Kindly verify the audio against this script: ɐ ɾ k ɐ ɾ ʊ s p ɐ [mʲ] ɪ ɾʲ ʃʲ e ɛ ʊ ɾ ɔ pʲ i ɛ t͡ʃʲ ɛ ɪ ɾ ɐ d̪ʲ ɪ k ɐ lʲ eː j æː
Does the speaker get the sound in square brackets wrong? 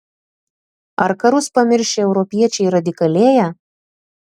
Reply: no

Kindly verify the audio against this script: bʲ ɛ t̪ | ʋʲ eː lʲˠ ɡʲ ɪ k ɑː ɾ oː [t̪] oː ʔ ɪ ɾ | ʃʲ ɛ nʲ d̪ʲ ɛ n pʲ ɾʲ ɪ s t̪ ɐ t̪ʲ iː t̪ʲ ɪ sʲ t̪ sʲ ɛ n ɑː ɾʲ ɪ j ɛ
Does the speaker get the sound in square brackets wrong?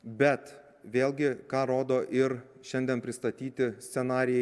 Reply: yes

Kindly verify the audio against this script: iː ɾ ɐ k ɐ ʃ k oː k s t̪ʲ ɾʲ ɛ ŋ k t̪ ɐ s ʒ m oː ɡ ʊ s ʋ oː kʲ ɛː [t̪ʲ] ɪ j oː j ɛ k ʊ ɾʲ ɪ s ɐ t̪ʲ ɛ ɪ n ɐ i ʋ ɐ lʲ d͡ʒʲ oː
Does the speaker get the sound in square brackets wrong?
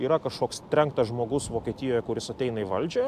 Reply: no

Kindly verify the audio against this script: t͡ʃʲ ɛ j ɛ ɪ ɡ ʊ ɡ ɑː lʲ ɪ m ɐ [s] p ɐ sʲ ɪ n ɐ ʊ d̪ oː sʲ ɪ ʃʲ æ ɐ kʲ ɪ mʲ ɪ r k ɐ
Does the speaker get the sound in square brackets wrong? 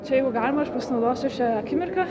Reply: yes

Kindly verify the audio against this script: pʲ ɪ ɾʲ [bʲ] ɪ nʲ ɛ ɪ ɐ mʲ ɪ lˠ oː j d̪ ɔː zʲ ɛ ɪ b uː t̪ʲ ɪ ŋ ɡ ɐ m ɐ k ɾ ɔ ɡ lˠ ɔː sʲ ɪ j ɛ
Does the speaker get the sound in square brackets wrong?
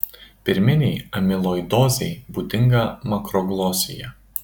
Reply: yes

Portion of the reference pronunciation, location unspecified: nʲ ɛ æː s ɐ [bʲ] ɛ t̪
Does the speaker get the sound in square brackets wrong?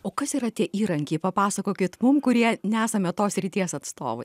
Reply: yes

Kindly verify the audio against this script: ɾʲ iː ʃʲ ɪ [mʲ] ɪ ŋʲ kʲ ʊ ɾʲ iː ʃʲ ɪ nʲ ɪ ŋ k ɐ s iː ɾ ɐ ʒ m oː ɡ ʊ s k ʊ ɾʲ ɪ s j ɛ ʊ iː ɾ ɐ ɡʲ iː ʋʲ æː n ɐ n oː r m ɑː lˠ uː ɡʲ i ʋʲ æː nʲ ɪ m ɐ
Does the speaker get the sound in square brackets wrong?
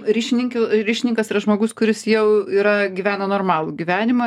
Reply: yes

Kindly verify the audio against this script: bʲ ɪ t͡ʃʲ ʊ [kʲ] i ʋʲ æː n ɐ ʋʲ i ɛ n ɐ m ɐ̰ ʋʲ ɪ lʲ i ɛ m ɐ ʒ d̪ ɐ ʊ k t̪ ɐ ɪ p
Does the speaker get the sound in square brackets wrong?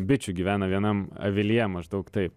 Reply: yes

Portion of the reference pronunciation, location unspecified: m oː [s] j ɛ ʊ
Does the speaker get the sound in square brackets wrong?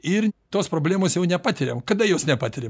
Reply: no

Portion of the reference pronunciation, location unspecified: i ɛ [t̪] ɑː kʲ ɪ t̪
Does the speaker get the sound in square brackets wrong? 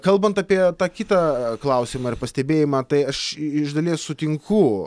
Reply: no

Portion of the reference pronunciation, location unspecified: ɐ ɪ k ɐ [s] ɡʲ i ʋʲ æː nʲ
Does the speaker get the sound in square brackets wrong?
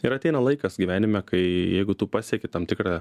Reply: no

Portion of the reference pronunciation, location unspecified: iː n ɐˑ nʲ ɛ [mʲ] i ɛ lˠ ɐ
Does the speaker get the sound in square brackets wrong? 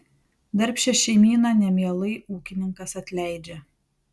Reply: no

